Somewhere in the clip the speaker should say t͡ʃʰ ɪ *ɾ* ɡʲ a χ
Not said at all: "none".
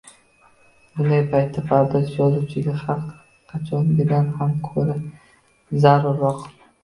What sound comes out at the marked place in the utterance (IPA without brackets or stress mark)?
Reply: none